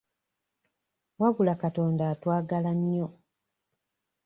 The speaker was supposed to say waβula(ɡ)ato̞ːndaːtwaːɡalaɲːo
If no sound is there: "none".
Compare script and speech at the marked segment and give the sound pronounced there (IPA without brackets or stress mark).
k